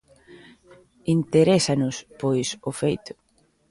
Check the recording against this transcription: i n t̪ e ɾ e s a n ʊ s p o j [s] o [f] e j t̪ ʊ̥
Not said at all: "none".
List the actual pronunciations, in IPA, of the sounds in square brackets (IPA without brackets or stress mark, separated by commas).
s, f